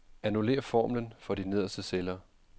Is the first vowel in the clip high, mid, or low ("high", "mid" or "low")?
low